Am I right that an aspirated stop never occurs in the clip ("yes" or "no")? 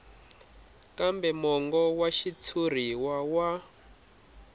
no